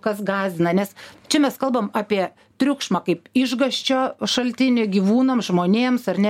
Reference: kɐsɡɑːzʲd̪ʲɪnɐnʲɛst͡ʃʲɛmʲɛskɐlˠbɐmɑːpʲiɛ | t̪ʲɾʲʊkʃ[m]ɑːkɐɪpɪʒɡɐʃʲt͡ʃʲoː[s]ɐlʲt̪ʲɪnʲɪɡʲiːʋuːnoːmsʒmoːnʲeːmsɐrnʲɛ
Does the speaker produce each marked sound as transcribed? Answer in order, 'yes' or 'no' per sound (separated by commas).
yes, no